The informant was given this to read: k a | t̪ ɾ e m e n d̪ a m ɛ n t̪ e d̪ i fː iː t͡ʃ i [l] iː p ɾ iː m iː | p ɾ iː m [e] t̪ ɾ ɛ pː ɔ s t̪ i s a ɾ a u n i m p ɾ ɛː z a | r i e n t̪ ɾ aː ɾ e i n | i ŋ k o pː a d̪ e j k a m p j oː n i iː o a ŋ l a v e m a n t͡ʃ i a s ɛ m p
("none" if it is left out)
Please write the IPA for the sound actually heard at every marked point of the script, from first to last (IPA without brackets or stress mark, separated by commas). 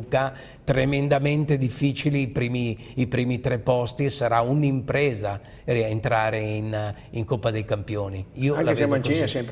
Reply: l, i